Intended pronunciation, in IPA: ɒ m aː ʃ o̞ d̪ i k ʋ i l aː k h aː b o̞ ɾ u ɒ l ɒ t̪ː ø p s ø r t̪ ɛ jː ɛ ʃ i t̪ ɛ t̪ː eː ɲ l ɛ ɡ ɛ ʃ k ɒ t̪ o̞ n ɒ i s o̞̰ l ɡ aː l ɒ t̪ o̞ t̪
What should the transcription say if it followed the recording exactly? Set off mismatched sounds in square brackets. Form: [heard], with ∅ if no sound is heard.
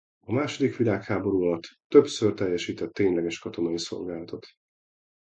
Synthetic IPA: ɒ m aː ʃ o̞ d̪ i k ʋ i l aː k h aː b o̞ ɾ u ɒ l ɒ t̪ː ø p s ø r t̪ ɛ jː ɛ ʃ [iː] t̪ ɛ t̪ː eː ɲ l ɛ ɡ ɛ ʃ k ɒ t̪ o̞ n ɒ i s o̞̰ l ɡ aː l ɒ t̪ o̞ t̪